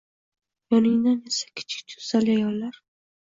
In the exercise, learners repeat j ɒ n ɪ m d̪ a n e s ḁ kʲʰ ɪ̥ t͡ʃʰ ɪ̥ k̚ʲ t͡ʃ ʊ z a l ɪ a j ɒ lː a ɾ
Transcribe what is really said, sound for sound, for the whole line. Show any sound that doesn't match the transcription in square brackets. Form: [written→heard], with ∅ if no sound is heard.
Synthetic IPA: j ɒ n ɪ [m→ŋ] d̪ a n e s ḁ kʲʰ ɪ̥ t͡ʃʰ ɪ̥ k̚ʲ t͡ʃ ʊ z a l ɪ a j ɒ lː a ɾ